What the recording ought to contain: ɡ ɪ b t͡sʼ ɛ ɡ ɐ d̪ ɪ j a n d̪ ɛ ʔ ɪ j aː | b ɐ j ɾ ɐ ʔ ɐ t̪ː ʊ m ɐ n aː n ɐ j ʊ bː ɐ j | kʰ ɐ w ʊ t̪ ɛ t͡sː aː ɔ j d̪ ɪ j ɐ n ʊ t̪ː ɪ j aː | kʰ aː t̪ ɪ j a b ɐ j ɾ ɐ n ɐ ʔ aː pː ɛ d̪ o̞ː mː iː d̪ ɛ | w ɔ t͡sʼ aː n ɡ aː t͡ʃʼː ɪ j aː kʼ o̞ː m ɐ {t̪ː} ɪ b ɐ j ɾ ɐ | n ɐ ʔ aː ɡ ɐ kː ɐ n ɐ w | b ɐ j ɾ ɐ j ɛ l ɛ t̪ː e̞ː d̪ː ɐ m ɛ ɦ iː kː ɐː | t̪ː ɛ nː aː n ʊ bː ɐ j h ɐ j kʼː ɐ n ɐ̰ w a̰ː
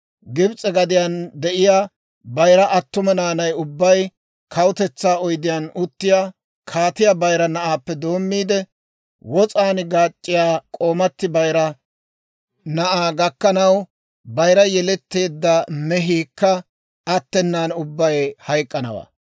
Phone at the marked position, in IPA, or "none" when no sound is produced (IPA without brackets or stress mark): t̪ː